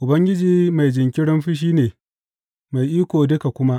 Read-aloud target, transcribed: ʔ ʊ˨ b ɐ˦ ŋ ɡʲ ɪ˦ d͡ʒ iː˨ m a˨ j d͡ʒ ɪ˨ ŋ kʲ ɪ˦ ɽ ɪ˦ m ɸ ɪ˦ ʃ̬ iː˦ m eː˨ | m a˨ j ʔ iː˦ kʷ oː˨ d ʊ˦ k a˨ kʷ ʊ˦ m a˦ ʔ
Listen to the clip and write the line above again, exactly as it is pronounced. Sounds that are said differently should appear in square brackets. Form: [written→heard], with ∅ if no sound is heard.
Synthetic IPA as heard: ʔ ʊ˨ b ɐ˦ ŋ ɡʲ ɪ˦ d͡ʒ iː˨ m a˨ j d͡ʒ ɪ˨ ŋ kʲ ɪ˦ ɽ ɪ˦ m ɸ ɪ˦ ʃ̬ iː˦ [m→n] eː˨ | m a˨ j ʔ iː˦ kʷ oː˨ d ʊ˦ k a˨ kʷ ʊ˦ m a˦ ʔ